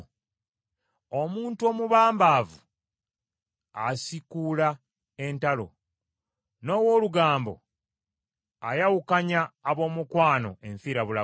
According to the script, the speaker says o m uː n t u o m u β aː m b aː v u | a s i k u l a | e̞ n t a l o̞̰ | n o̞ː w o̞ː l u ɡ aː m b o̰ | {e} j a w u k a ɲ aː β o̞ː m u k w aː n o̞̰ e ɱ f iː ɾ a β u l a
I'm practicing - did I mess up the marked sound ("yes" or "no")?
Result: yes